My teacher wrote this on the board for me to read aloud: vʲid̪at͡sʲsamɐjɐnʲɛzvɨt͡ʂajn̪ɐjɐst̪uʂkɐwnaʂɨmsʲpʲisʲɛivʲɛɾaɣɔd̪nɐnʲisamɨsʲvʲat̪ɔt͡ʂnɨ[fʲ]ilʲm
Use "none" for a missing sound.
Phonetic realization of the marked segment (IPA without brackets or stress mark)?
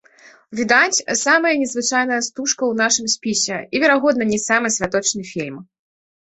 fʲ